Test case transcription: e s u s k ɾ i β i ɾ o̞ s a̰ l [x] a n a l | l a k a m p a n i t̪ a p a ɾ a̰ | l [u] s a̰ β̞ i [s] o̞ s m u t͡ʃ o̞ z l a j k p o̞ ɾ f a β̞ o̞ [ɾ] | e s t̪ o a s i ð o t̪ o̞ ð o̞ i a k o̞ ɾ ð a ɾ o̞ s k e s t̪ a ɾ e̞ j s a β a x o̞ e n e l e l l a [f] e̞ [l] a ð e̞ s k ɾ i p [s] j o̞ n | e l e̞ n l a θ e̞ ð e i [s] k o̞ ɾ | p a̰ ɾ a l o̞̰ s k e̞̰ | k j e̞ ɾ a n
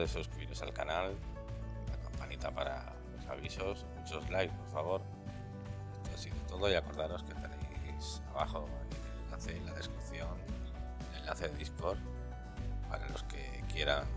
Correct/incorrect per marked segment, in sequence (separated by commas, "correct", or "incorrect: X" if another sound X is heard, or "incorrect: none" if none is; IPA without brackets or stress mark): incorrect: k, incorrect: o, correct, correct, incorrect: θ, correct, incorrect: θ, correct